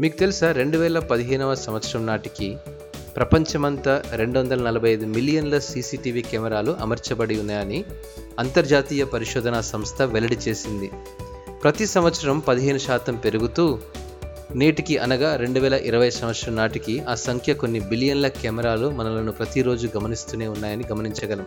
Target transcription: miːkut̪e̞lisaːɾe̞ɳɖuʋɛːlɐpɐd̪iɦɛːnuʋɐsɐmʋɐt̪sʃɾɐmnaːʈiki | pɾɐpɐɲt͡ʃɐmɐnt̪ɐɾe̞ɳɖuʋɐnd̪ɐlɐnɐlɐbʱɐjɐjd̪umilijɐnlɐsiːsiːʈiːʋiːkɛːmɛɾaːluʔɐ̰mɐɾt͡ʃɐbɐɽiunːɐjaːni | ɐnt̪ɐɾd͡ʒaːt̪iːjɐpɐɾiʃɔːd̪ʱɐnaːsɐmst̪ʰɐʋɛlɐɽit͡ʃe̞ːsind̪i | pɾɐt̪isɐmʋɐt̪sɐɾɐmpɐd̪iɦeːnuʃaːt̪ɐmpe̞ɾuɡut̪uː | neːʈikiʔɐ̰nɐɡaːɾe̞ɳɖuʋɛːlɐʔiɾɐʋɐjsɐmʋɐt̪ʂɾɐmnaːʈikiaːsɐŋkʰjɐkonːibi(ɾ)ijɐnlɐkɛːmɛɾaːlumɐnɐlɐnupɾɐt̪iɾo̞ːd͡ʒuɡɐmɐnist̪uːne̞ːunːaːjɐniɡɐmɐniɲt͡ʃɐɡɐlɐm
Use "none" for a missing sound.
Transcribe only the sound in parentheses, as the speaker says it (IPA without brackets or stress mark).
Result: l